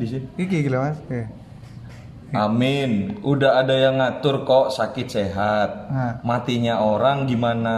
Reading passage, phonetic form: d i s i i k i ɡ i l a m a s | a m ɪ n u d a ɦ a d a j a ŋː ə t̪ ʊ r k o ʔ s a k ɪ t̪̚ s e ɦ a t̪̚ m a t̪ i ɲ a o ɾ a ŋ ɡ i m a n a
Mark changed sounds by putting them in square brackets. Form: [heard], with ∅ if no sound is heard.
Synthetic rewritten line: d i s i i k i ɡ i l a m a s | a m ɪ n u d a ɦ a d a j a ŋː [a] t̪ ʊ r k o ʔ s a k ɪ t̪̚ s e ɦ a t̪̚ m a t̪ i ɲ a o ɾ a ŋ ɡ i m a n a